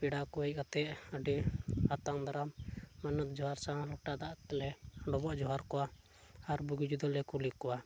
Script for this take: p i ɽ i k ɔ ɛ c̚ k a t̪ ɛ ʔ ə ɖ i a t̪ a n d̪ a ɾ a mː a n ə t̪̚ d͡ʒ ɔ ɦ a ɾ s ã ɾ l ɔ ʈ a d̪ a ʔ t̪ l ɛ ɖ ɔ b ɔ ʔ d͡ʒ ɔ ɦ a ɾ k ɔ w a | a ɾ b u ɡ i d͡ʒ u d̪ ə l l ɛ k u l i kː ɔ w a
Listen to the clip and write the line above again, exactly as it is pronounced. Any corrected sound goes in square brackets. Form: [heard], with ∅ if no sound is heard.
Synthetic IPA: p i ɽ [a] k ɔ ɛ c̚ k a t̪ ɛ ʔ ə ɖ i a t̪ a [ŋ] d̪ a ɾ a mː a n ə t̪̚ d͡ʒ ɔ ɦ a ɾ s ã [∅] l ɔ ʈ a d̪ a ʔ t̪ l ɛ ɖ ɔ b ɔ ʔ d͡ʒ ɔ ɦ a ɾ k ɔ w a | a ɾ b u ɡ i d͡ʒ u d̪ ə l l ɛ k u l i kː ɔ w a